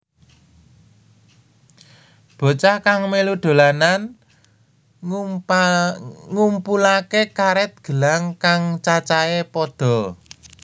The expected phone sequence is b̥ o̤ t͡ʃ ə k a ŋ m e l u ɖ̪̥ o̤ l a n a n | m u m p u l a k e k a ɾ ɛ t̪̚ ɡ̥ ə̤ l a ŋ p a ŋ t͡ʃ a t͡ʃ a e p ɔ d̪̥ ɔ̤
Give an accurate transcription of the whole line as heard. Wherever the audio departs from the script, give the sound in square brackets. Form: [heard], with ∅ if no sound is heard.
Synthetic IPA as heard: b̥ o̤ t͡ʃ [a] k a ŋ m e l u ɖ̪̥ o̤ l a n a n | [ŋ] u m p u l a k e k a ɾ ɛ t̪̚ ɡ̥ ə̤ l a ŋ [k] a ŋ t͡ʃ a t͡ʃ a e p ɔ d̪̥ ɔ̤

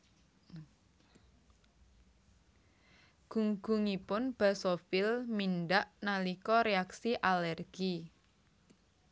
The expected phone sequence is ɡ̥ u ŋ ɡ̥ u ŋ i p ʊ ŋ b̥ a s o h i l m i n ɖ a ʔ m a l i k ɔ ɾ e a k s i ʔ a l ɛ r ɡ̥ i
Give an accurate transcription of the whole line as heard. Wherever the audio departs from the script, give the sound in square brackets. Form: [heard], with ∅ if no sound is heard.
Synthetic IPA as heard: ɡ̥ u ŋ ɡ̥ u ŋ i p ʊ [n] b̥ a s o [f] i l m i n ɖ a ʔ [n] a l i k ɔ ɾ e a k s i ʔ a l ɛ r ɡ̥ i

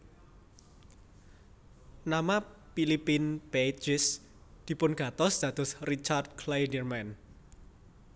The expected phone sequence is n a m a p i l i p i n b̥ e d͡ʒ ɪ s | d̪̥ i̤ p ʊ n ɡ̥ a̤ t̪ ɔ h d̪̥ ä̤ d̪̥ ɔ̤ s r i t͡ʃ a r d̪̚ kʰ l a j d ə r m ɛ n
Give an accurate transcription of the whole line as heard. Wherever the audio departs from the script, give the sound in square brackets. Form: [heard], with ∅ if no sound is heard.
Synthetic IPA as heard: n a m a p i l i p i n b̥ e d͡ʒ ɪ s | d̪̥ i̤ p ʊ n ɡ̥ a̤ t̪ ɔ [s] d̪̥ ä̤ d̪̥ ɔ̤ s r i t͡ʃ a r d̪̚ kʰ l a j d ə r m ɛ n

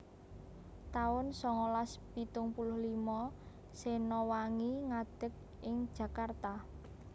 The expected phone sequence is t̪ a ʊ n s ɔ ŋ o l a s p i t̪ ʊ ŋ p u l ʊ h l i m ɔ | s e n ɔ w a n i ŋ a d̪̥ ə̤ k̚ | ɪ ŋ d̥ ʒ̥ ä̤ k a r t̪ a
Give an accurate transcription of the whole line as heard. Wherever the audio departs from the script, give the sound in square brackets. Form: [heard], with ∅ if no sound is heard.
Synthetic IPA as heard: t̪ a ʊ n s ɔ ŋ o l a s p i t̪ ʊ ŋ p u l ʊ h l i m ɔ | s e n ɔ w a [ŋ] i ŋ a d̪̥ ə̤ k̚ | ɪ ŋ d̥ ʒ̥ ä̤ k a r t̪ a

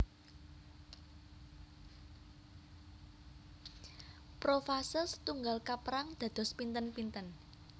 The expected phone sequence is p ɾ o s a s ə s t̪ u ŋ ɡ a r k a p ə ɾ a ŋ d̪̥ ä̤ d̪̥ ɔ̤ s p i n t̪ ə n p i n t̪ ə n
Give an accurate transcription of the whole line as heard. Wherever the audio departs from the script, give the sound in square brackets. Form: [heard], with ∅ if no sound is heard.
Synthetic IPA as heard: p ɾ o [f] a s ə s t̪ u ŋ ɡ a [l] k a p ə ɾ a ŋ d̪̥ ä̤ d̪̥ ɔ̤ s p i n t̪ ə n p i n t̪ ə n

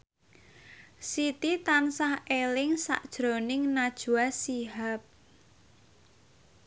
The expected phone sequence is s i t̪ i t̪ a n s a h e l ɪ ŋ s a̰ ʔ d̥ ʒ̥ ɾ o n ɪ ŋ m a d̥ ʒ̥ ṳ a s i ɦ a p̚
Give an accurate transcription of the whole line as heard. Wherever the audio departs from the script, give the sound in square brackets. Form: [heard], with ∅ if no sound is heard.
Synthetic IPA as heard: s i t̪ i t̪ a n s a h e l ɪ ŋ s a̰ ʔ d̥ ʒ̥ ɾ o n ɪ ŋ [n] a d̥ ʒ̥ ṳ a s i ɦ a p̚

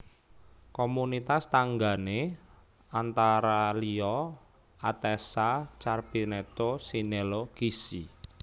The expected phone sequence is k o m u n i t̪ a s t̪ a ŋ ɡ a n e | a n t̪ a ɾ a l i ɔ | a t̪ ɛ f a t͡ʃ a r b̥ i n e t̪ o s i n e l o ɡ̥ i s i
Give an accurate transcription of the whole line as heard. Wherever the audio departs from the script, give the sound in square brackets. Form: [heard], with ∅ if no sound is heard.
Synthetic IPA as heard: k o m u n i t̪ a s t̪ a ŋ ɡ a n e | a n t̪ a ɾ a l i ɔ | a t̪ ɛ [s] a t͡ʃ a r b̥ i n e t̪ o s i n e l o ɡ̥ i s i

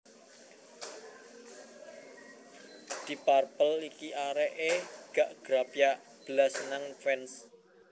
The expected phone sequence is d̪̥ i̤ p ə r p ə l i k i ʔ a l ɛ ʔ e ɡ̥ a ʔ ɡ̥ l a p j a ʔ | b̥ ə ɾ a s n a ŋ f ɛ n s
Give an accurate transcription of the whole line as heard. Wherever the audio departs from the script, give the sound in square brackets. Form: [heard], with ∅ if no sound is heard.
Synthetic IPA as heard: d̪̥ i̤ p [a] r p ə l i k i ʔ a [ɾ] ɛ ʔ e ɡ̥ a ʔ ɡ̥ [ɾ] a p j a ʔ | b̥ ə [l] a s n a ŋ f ɛ n s

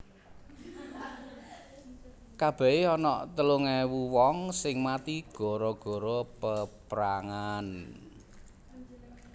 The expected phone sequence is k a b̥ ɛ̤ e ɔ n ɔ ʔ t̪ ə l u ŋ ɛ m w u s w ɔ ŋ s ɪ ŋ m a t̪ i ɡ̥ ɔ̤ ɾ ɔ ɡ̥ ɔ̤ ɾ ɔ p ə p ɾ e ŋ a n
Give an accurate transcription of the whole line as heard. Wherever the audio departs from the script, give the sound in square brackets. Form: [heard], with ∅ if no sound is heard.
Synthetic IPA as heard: k a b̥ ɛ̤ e ɔ n ɔ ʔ t̪ ə l u ŋ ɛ [∅] w u [∅] w ɔ ŋ s ɪ ŋ m a t̪ i ɡ̥ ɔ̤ ɾ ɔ ɡ̥ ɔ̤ ɾ ɔ p ə p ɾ [a] ŋ a n

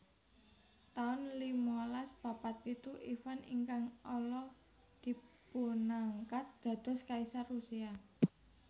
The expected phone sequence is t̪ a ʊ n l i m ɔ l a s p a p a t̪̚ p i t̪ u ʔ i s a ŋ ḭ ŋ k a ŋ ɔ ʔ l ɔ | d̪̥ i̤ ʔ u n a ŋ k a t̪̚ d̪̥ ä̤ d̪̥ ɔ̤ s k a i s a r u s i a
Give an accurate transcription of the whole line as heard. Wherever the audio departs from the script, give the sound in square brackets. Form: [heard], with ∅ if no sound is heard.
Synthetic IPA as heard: t̪ a ʊ n l i m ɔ l a s p a p a t̪̚ p i t̪ u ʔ i [f] a [n] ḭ ŋ k a ŋ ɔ [∅] l ɔ | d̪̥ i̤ [p] u n a ŋ k a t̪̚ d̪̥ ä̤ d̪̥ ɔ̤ s k a i s a r u s i a

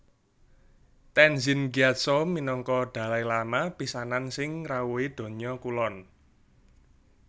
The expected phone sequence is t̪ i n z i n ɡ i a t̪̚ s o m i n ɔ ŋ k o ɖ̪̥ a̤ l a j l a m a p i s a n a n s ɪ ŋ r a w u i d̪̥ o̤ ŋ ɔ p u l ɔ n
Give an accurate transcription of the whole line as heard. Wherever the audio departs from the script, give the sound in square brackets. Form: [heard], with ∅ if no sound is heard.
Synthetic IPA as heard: t̪ [ɛ] n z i n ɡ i a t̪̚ s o m i n ɔ ŋ k [ɔ] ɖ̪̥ a̤ l a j l a m a p i s a n a n s ɪ ŋ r a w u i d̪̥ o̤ [ɲ] ɔ [k] u l ɔ n

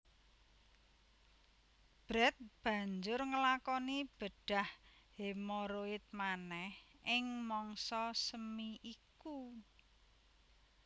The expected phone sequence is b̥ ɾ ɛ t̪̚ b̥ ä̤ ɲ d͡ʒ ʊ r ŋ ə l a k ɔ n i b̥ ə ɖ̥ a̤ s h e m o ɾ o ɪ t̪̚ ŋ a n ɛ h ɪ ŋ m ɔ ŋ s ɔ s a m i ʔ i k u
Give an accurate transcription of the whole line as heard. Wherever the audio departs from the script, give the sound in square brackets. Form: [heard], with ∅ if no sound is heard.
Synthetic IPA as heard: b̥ ɾ ɛ t̪̚ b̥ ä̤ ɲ d͡ʒ ʊ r ŋ ə l a k ɔ n i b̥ ə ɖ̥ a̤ [h] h e m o ɾ o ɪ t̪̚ [m] a n ɛ h ɪ ŋ m ɔ ŋ s ɔ s [ə] m i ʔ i k u

